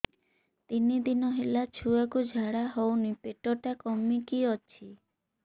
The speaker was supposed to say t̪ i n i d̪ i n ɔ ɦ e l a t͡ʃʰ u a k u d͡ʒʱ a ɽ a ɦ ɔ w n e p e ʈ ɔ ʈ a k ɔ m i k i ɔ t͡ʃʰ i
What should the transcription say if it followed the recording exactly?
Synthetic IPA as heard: t̪ i n i d̪ i n ɔ ɦ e l a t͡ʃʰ u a k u d͡ʒʱ a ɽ a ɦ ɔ w n i p e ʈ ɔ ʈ a k ɔ m i k i ɔ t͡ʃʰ i

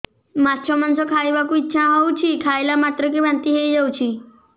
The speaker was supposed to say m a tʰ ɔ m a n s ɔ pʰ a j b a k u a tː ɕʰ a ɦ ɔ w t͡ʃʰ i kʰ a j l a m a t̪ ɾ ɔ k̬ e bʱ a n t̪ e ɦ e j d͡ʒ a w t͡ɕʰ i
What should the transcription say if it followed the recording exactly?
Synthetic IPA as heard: m a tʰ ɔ m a n s ɔ kʰ a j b a k u i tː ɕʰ a ɦ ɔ w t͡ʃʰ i kʰ a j l a m a t̪ ɾ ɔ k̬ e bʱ a n t̪ i ɦ e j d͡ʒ a w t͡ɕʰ i

